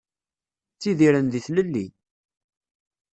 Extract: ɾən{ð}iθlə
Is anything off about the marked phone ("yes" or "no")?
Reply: no